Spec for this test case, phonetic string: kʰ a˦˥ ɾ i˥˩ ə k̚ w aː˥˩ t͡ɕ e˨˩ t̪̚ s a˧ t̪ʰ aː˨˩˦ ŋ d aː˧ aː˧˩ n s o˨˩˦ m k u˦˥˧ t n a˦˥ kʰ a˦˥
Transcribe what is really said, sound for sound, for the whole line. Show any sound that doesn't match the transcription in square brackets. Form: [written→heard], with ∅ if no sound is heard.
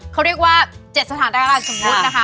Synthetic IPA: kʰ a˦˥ ɾ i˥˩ ə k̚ w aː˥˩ t͡ɕ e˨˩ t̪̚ s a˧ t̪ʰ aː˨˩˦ [ŋ→n] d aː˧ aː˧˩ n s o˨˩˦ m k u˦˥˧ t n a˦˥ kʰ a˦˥